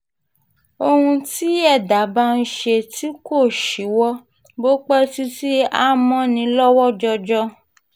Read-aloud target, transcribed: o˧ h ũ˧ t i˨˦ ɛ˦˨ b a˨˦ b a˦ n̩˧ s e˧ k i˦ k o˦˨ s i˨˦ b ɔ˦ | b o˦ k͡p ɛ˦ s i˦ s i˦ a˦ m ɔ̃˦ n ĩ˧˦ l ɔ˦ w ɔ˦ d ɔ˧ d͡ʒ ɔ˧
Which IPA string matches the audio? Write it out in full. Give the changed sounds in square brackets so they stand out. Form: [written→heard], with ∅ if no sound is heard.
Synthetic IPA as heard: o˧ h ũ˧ t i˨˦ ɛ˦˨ [b→d] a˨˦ b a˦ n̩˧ [s→ʃ] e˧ [k→t] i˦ k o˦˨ [s→ʃ] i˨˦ [b→w] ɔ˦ | b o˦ k͡p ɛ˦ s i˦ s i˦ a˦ m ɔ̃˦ n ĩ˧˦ l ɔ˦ w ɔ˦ [d→d͡ʒ] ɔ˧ d͡ʒ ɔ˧